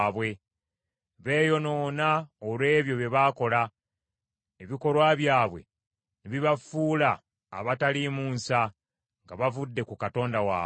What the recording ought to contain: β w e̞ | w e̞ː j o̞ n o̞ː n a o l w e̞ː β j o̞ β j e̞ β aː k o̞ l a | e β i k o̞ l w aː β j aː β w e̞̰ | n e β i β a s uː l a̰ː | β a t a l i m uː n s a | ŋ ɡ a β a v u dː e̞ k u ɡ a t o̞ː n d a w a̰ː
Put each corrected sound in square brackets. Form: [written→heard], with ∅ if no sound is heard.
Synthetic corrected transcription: β w e̞ | [w→β] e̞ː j o̞ n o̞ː n a o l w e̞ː β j o̞ β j e̞ β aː k o̞ l a | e β i k o̞ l w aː β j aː β w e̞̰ | n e β i β a [s→f] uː l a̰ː | β a t a l i m uː n s a | ŋ ɡ a β a v u dː e̞ k u [ɡ→k] a t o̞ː n d a w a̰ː